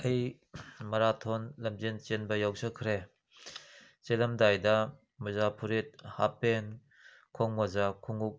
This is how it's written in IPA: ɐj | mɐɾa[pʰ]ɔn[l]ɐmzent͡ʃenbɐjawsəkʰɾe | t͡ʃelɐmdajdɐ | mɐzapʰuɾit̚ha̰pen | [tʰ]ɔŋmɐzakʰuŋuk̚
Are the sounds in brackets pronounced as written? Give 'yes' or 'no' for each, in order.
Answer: no, yes, no

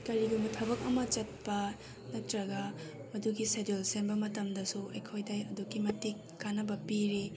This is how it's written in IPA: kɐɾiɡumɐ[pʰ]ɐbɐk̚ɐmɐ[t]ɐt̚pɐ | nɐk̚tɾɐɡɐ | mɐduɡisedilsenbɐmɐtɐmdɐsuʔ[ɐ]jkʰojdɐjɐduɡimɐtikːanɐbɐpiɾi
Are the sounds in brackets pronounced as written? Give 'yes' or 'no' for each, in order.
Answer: no, no, yes

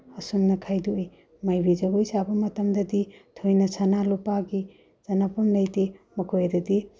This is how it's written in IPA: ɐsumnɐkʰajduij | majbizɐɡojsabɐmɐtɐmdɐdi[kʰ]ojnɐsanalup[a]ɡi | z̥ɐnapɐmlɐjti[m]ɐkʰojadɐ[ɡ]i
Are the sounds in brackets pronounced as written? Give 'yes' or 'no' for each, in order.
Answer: no, yes, yes, no

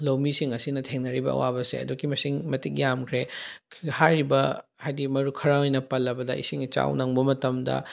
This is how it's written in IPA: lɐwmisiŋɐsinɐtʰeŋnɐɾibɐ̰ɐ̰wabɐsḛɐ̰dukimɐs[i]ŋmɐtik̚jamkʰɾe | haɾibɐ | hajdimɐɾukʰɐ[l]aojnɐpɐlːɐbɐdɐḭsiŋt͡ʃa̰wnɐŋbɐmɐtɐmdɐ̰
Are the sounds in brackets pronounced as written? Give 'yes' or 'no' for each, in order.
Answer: yes, no

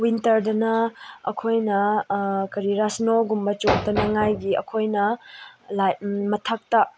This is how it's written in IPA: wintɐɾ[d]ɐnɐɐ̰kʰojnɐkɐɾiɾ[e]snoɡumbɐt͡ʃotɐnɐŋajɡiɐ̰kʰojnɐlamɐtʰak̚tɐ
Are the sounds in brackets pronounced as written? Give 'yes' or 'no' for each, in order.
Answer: yes, no

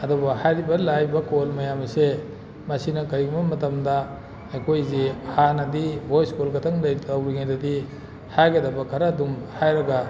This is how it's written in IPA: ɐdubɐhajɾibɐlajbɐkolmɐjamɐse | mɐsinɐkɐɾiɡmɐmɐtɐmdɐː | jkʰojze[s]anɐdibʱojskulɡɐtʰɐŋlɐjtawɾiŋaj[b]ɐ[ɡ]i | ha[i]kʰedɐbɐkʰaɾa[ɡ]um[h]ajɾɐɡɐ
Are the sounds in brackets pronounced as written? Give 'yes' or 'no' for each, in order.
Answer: no, no, no, no, no, yes

